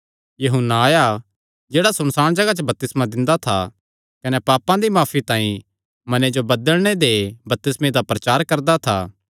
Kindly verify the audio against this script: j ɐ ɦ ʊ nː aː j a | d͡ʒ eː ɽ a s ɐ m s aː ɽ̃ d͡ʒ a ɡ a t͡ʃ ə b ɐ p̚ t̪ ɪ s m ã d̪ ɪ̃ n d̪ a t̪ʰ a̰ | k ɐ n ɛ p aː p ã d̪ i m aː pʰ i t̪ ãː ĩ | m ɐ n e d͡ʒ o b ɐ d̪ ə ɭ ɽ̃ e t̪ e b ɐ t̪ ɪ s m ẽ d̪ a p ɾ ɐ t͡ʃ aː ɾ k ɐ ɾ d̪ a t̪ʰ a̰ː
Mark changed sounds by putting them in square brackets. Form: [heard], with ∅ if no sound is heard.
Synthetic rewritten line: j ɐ ɦ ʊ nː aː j a | d͡ʒ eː ɽ a s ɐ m s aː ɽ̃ d͡ʒ [ɐ] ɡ a t͡ʃ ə b ɐ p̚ t̪ ɪ s m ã d̪ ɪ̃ n d̪ a t̪ʰ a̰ | k ɐ n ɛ p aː p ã d̪ i m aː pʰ i t̪ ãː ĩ | m ɐ n e d͡ʒ o b ɐ d̪ ə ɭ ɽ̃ e [d̪] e b ɐ t̪ ɪ s m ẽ d̪ a p ɾ ɐ t͡ʃ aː ɾ k ɐ ɾ d̪ a t̪ʰ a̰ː

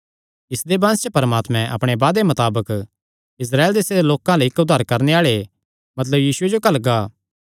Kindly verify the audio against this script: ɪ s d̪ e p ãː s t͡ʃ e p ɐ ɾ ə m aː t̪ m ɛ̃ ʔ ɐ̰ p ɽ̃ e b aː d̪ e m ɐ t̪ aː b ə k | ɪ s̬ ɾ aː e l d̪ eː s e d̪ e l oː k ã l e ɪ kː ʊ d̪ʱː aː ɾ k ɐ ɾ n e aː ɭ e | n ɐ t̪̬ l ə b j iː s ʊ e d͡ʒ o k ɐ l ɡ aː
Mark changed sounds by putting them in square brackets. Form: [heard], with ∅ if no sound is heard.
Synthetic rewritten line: ɪ s d̪ e [b] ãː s t͡ʃ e p ɐ ɾ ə m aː t̪ m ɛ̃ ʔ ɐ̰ p ɽ̃ e b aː d̪ e m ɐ t̪ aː b ə k | ɪ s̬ ɾ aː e l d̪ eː s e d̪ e l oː k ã l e ɪ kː ʊ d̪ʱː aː ɾ k ɐ ɾ n e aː ɭ e | [m] ɐ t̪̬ l ə b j iː s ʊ e d͡ʒ o k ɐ l ɡ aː

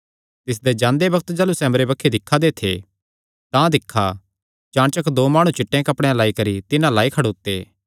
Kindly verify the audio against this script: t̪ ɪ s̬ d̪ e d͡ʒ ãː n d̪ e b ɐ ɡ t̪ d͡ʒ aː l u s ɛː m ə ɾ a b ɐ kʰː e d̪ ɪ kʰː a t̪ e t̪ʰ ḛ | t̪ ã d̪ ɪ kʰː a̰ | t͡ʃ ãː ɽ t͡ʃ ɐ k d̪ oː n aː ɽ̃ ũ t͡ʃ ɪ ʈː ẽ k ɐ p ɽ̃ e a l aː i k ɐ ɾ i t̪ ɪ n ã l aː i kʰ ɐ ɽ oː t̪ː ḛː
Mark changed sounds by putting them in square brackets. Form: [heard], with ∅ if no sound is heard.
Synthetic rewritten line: t̪ ɪ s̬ d̪ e d͡ʒ ãː n d̪ e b ɐ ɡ t̪ d͡ʒ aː l u s ɛː m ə ɾ [e] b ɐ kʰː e d̪ ɪ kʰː a [d̪] e t̪ʰ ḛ | t̪ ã d̪ ɪ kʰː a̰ | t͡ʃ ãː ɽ t͡ʃ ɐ k d̪ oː [m] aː ɽ̃ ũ t͡ʃ ɪ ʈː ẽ k ɐ p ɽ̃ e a l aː i k ɐ ɾ i t̪ ɪ n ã l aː i kʰ ɐ ɽ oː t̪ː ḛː

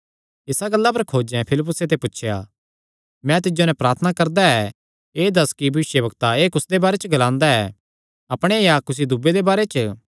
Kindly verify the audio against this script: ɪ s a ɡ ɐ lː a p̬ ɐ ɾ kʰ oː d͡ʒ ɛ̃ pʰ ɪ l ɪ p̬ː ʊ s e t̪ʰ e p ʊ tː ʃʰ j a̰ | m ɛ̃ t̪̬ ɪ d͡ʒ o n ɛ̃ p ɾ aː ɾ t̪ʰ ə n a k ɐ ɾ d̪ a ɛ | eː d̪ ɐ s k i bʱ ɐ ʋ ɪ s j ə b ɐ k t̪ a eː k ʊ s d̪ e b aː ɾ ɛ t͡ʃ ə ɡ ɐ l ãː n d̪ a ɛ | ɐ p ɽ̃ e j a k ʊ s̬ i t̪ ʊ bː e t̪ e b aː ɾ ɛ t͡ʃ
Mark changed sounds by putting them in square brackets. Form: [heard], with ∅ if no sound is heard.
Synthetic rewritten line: ɪ s a ɡ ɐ lː a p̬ ɐ ɾ kʰ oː d͡ʒ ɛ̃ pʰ ɪ l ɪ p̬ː ʊ s e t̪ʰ e p ʊ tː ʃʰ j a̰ | m ɛ̃ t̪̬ ɪ d͡ʒ o n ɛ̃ p ɾ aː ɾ t̪ʰ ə n a k ɐ ɾ d̪ a ɛ | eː d̪ ɐ s k i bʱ ɐ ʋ ɪ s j ə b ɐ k t̪ a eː k ʊ s d̪ e b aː ɾ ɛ t͡ʃ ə ɡ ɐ l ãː n d̪ a ɛ | ɐ p ɽ̃ e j a k ʊ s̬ i [d̪] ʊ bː e [d̪] e b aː ɾ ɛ t͡ʃ

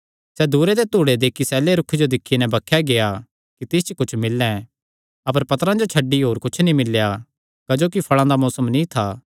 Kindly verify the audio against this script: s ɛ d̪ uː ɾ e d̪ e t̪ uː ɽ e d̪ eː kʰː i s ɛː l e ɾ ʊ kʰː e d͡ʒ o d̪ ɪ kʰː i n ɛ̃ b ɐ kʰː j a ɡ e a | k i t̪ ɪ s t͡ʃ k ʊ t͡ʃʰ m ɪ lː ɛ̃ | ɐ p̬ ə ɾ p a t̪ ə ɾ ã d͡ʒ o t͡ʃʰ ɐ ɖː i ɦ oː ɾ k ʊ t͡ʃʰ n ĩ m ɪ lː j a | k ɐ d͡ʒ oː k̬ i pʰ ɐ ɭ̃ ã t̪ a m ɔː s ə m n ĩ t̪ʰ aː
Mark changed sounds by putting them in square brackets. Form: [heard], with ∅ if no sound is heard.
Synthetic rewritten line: s ɛ d̪ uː ɾ e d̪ e t̪ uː ɽ e d̪ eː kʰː i s ɛː l e ɾ ʊ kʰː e d͡ʒ o d̪ ɪ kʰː i n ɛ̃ b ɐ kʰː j a ɡ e a | k i t̪ ɪ s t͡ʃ k ʊ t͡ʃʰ m ɪ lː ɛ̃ | ɐ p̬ ə ɾ p [ɐ] t̪ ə ɾ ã d͡ʒ o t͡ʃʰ ɐ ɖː i ɦ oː ɾ k ʊ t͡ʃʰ n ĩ m ɪ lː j a | k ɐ d͡ʒ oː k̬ i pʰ ɐ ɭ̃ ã [d̪] a m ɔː s ə m n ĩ t̪ʰ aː

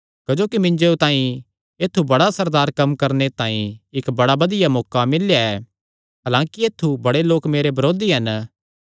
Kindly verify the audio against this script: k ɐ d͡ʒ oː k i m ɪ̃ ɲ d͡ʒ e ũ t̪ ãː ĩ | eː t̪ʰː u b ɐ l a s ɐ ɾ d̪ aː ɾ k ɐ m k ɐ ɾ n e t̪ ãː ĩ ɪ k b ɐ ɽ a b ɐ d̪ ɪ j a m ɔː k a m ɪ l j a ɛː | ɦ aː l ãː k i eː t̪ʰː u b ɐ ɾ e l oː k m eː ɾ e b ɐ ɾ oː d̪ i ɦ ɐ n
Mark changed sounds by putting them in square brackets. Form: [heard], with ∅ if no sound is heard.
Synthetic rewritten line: k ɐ d͡ʒ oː k i m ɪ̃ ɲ d͡ʒ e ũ t̪ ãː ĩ | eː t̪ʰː u b ɐ [ɽ] a s ɐ ɾ d̪ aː ɾ k ɐ m k ɐ ɾ n e t̪ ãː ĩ ɪ k b ɐ ɽ a b ɐ d̪ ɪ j a m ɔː k a m ɪ l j a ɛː | ɦ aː l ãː k i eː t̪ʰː u b ɐ [ɽ] e l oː k m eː ɾ e b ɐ ɾ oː d̪ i ɦ ɐ n

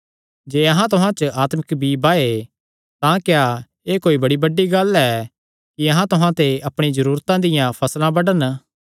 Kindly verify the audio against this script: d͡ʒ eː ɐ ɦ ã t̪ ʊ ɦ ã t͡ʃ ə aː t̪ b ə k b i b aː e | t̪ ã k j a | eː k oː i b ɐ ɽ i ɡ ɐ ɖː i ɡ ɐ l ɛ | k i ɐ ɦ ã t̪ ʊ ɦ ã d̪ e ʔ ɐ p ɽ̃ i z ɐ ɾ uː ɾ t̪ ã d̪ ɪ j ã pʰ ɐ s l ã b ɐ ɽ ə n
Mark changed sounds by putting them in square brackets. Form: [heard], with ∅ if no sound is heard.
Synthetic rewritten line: d͡ʒ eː ɐ ɦ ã t̪ ʊ ɦ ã t͡ʃ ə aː t̪ [m] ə k b i b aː e | t̪ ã k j a | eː k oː i b ɐ ɽ i [b] ɐ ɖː i ɡ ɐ l ɛ | k i ɐ ɦ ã t̪ ʊ ɦ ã [t̪] e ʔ ɐ p ɽ̃ i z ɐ ɾ uː ɾ t̪ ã d̪ ɪ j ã pʰ ɐ s l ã b ɐ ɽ ə n

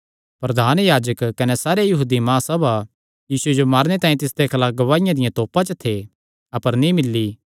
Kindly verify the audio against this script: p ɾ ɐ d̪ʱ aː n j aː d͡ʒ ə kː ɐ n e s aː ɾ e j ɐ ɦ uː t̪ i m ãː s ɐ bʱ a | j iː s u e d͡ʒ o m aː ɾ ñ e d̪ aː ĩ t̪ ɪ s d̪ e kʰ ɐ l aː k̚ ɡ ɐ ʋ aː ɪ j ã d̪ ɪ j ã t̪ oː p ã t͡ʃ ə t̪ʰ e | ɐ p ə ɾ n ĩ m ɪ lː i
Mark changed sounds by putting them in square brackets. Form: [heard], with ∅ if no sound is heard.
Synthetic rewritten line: p ɾ ɐ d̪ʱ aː n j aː d͡ʒ ə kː ɐ n e s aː ɾ e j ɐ ɦ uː [d̪] i m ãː s ɐ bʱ a | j iː s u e d͡ʒ o m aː ɾ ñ e [t̪] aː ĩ t̪ ɪ s d̪ e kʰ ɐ l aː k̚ ɡ ɐ ʋ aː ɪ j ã d̪ ɪ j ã t̪ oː p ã t͡ʃ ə t̪ʰ e | ɐ p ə ɾ n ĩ m ɪ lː i

